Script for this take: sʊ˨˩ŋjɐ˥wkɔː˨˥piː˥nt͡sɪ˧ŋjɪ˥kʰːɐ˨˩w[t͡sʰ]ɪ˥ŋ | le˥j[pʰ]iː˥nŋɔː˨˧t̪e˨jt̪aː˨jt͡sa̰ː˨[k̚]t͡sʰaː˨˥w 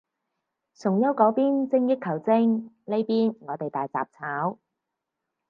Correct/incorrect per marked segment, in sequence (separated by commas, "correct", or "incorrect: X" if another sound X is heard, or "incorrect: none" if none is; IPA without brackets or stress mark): incorrect: t͡s, incorrect: p, incorrect: p̚